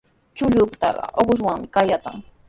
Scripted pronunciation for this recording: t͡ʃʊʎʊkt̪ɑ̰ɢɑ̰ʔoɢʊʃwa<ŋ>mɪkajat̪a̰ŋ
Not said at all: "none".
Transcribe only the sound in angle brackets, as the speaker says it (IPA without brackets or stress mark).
ŋ